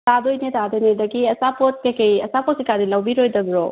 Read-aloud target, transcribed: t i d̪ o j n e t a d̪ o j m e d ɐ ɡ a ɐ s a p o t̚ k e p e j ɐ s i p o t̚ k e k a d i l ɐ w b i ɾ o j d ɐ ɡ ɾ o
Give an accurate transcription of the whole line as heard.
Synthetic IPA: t a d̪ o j n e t a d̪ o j n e d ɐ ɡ i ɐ s a p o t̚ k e k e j ɐ s a p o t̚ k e k a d i l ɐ w b i ɾ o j d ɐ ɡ ɾ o